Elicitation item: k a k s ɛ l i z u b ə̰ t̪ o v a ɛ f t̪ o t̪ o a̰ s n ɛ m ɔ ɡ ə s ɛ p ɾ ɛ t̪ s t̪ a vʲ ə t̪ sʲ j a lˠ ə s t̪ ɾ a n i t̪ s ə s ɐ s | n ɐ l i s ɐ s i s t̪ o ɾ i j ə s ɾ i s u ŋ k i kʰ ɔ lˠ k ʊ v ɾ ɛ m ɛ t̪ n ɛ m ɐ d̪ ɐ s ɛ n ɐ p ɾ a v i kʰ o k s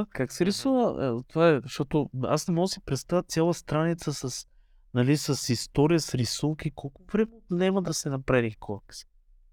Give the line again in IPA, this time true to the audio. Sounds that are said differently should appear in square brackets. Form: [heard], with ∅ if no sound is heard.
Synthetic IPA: k a k s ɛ [ɾ] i [s] u [v] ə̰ t̪ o v a ɛ [ʃ] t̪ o t̪ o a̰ s n ɛ m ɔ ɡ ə s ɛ p ɾ ɛ t̪ s t̪ a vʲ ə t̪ sʲ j a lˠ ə s t̪ ɾ a n i t̪ s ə s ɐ s | n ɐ l i s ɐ s i s t̪ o ɾ i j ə s ɾ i s u ŋ k i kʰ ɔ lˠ k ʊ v ɾ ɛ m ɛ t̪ n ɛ m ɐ d̪ ɐ s ɛ n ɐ p ɾ a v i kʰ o k s